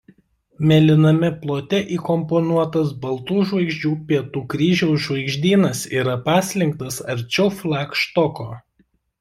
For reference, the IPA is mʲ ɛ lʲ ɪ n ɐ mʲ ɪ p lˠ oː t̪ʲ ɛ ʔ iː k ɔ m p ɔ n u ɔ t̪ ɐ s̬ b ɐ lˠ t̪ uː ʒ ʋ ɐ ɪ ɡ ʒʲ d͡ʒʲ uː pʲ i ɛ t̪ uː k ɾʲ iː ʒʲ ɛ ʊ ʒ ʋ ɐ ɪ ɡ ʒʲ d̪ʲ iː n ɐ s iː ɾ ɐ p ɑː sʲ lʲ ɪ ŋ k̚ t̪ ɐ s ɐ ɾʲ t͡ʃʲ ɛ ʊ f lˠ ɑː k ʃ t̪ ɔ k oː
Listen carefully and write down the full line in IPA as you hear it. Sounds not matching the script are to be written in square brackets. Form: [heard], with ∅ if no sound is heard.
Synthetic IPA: mʲ ɛ lʲ ɪ n ɐ mʲ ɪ p lˠ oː t̪ʲ ɛ ʔ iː k ɔ m p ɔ n u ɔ t̪ ɐ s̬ b ɐ lˠ t̪ uː ʒ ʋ ɐ ɪ ɡ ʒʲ d͡ʒʲ uː pʲ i ɛ t̪ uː k ɾʲ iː ʒʲ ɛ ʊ ʒ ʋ ɐ ɪ ɡ ʒʲ d̪ʲ iː n ɐ s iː ɾ ɐ p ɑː sʲ lʲ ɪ ŋ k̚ t̪ ɐ s ɐ ɾʲ t͡ʃʲ ɛ ʊ f lˠ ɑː k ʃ t̪ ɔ k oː

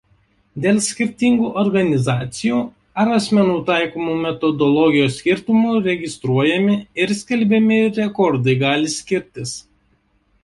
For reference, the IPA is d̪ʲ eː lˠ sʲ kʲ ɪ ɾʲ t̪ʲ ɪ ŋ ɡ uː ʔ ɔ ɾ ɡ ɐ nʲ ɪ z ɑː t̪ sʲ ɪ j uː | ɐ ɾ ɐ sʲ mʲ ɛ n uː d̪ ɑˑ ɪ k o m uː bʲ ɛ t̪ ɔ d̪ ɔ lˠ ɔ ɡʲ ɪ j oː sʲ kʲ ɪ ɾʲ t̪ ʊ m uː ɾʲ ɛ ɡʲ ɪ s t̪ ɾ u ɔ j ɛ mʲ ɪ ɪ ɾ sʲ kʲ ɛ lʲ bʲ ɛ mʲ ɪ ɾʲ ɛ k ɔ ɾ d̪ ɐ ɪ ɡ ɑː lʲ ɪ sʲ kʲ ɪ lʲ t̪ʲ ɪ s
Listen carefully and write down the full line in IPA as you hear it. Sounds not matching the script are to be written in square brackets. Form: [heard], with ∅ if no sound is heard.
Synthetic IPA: d̪ʲ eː lˠ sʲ kʲ ɪ ɾʲ t̪ʲ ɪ ŋ ɡ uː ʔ ɔ ɾ ɡ ɐ nʲ ɪ z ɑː t̪ sʲ ɪ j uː | ɐ ɾ ɐ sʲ mʲ ɛ n uː [t̪] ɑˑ ɪ k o m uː [mʲ] ɛ t̪ ɔ d̪ ɔ lˠ ɔ ɡʲ ɪ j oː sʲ kʲ ɪ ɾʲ t̪ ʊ m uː ɾʲ ɛ ɡʲ ɪ s t̪ ɾ u ɔ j ɛ mʲ ɪ ɪ ɾ sʲ kʲ ɛ lʲ bʲ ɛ mʲ ɪ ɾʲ ɛ k ɔ ɾ d̪ ɐ ɪ ɡ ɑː lʲ ɪ sʲ kʲ ɪ [ɾʲ] t̪ʲ ɪ s

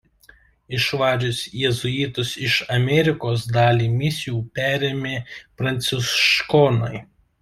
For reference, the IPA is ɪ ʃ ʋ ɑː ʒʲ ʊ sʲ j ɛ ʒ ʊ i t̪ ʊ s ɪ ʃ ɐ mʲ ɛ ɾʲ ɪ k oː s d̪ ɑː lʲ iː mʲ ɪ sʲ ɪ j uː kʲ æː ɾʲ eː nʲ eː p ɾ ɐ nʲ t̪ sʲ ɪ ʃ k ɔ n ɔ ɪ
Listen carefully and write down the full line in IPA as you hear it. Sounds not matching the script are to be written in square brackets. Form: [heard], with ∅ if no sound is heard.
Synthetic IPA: ɪ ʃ ʋ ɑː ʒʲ ʊ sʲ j ɛ [z] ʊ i t̪ ʊ s ɪ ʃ ɐ mʲ ɛ ɾʲ ɪ k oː s d̪ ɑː lʲ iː mʲ ɪ sʲ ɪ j uː [pʲ] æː ɾʲ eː [mʲ] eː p ɾ ɐ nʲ t̪ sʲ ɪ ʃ k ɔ n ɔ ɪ

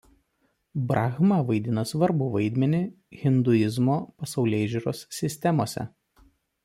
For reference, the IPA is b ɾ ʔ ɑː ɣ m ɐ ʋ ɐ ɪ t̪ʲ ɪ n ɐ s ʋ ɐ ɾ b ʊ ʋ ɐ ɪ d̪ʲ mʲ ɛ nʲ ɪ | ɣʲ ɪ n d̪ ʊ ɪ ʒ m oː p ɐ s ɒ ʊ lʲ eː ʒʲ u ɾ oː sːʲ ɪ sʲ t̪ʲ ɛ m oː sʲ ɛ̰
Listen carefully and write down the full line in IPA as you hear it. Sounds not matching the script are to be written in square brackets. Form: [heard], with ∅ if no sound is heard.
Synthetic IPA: b ɾ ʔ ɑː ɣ m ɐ ʋ ɐ ɪ [d̪ʲ] ɪ n ɐ s ʋ ɐ ɾ b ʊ ʋ ɐ ɪ d̪ʲ mʲ ɛ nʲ ɪ | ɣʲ ɪ n d̪ ʊ ɪ [z] m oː p ɐ s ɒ ʊ lʲ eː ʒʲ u ɾ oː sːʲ ɪ sʲ t̪ʲ ɛ m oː sʲ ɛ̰

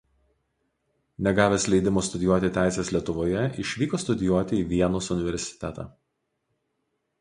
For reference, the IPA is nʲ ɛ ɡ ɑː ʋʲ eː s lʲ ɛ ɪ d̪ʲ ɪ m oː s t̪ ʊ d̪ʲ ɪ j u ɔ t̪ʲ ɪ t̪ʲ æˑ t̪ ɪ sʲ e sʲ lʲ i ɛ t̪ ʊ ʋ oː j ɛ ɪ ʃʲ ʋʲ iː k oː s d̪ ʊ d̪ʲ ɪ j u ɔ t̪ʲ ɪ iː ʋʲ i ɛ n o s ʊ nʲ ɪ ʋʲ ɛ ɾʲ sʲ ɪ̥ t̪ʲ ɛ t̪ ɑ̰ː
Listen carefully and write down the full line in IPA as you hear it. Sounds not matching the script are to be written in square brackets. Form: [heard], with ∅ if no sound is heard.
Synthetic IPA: nʲ ɛ ɡ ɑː ʋʲ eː s lʲ ɛ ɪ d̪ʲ ɪ m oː s t̪ ʊ d̪ʲ ɪ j u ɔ t̪ʲ ɪ t̪ʲ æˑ [∅] ɪ sʲ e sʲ lʲ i ɛ t̪ ʊ ʋ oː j ɛ ɪ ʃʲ ʋʲ iː k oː s [t̪] ʊ d̪ʲ ɪ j u ɔ t̪ʲ ɪ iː ʋʲ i ɛ n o s ʊ nʲ ɪ ʋʲ ɛ ɾʲ sʲ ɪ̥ t̪ʲ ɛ t̪ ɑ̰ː

